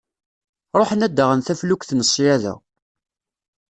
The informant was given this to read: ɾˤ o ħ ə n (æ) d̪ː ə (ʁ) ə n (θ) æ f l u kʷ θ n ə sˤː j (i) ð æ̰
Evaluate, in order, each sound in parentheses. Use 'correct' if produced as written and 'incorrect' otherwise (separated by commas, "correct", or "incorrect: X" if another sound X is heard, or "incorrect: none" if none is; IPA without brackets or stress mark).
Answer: correct, correct, correct, incorrect: æ